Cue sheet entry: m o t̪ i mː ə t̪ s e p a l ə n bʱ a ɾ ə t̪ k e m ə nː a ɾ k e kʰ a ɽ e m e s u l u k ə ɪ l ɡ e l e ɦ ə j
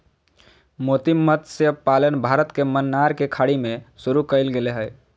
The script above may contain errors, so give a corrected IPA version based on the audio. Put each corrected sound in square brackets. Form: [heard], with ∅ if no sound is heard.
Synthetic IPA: m o t̪ i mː ə t̪ s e p a l ə n bʱ a ɾ ə t̪ k e m ə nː a ɾ k e kʰ a ɽ [i] m e s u [ɾ] u k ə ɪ l ɡ e l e ɦ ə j